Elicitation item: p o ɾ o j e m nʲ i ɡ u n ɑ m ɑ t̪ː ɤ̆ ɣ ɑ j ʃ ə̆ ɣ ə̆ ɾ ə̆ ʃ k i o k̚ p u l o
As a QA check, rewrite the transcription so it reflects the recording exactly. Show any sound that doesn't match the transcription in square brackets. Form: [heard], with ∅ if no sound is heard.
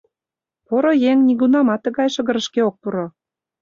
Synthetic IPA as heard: p o ɾ o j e [ŋ] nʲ i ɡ u n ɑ m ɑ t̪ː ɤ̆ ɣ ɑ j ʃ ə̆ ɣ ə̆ ɾ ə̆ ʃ k [e] o k̚ p u [ɾ] o